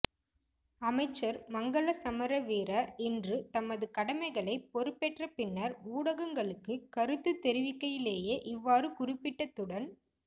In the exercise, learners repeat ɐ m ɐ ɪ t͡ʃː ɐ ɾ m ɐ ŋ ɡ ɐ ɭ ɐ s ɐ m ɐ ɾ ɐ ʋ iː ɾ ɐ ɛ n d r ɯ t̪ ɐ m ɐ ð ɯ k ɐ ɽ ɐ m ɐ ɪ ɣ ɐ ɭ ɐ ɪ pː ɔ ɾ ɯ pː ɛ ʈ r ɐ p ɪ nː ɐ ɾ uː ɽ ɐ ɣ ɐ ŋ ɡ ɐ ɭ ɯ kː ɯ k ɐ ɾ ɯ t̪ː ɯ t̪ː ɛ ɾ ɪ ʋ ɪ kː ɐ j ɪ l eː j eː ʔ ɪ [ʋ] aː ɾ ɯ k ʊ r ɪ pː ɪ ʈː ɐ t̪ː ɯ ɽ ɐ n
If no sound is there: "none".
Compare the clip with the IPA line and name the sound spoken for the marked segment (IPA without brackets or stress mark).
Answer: ʋː